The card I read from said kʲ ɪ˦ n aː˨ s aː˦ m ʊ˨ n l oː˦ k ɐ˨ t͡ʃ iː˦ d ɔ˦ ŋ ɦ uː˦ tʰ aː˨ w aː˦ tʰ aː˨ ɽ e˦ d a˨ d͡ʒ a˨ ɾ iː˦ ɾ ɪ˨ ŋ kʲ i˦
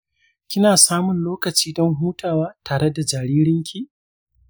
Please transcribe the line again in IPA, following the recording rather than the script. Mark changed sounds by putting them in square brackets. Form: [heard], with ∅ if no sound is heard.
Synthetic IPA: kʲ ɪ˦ n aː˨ s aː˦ m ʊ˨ n l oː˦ k ɐ˨ t͡ʃ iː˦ d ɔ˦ ŋ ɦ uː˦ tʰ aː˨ w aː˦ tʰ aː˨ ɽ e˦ d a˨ d͡ʒ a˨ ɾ iː˦ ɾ [ɪ˦] ŋ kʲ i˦